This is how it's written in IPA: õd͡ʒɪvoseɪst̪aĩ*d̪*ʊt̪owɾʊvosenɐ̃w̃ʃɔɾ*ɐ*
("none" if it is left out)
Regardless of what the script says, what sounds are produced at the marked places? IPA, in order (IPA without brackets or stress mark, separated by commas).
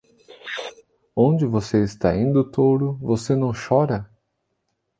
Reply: d̪, ɐ